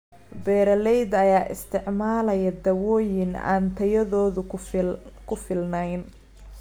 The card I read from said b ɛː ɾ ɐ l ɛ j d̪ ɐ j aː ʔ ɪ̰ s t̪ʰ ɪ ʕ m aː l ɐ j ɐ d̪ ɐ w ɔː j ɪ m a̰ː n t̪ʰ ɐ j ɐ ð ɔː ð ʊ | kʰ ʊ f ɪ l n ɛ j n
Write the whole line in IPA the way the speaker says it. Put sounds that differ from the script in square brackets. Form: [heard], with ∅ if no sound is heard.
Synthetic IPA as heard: b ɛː ɾ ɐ l ɛ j d̪ ɐ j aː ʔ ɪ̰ s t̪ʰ ɪ ʕ m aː l ɐ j ɐ d̪ ɐ w ɔː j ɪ [n] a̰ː n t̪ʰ ɐ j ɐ ð ɔː ð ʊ | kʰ ʊ f ɪ l n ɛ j n